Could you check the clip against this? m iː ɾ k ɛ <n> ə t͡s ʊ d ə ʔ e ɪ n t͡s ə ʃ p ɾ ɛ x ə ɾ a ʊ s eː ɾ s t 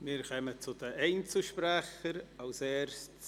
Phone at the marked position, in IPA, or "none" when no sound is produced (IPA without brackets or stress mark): m